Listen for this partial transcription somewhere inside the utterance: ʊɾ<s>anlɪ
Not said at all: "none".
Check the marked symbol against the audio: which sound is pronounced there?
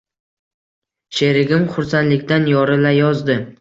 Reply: s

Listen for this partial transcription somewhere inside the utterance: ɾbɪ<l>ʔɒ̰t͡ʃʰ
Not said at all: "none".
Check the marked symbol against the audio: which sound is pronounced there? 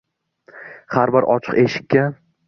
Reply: ɾ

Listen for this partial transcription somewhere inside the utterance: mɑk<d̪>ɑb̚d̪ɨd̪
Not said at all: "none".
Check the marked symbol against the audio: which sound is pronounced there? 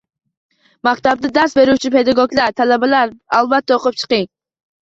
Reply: t̪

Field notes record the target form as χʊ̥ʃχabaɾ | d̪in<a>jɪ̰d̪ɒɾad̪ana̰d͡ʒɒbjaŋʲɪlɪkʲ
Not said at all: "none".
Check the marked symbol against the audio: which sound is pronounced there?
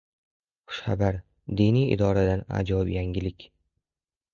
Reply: i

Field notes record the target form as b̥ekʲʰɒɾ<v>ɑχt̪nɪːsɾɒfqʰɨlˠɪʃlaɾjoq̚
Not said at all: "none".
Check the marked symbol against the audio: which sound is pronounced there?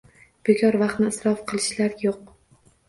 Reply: v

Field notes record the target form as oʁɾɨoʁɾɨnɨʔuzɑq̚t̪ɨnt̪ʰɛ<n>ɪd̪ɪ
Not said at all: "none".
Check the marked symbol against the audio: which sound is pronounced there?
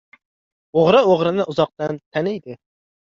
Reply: n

